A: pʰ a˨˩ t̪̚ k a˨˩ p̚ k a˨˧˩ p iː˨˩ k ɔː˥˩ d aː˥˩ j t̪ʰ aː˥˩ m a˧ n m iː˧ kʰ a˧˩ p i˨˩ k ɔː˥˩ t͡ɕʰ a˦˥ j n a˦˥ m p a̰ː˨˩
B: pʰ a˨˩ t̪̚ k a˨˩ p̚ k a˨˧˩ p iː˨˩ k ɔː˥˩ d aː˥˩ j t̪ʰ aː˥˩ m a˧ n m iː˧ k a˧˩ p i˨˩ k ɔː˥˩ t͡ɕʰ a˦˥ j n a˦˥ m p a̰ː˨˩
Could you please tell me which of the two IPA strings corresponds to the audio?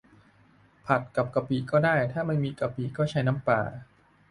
B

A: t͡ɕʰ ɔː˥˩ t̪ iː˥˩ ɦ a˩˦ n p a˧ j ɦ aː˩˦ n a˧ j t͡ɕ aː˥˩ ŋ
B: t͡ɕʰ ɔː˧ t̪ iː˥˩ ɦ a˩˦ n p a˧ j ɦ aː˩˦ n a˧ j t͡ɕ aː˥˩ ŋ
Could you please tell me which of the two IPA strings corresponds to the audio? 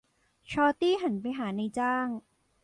B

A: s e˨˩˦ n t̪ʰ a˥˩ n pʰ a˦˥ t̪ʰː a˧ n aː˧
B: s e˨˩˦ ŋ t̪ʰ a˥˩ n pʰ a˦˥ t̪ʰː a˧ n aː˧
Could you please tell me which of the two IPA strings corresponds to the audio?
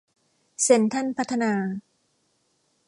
A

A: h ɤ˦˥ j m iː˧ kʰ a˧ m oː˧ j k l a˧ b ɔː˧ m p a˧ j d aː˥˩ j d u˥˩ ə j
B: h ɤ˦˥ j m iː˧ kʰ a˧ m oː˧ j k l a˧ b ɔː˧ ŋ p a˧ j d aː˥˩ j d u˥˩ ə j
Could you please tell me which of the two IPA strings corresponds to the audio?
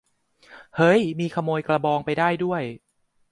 B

